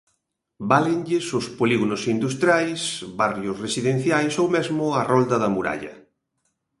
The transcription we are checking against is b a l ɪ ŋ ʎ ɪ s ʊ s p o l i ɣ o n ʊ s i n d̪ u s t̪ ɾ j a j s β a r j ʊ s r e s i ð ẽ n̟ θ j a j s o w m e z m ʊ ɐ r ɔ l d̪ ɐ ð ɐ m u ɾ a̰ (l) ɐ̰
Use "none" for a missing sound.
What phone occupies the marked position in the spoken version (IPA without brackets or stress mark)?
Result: ʎ